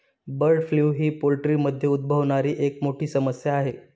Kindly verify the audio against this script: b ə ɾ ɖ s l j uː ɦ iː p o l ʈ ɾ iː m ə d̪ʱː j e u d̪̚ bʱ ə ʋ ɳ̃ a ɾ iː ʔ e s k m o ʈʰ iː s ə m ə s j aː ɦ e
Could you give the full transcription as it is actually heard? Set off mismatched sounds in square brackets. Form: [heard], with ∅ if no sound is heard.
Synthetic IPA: b ə ɾ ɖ [f] l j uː ɦ iː p o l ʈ ɾ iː m ə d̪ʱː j e u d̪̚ bʱ ə ʋ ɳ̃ a ɾ iː ʔ e [∅] k m o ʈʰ iː s ə m ə s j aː ɦ e